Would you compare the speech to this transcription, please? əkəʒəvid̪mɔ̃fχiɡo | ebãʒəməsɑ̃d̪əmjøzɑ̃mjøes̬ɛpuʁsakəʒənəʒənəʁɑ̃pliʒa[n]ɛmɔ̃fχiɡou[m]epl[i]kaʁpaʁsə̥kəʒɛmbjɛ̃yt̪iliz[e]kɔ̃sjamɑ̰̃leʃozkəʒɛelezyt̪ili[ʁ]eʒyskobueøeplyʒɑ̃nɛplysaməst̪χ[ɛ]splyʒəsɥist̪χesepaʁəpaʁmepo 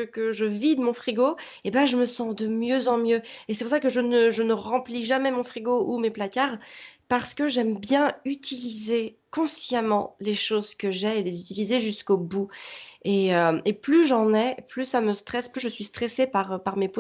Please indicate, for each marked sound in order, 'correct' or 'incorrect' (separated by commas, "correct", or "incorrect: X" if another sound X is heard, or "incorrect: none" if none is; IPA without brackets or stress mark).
incorrect: m, correct, incorrect: a, correct, incorrect: z, correct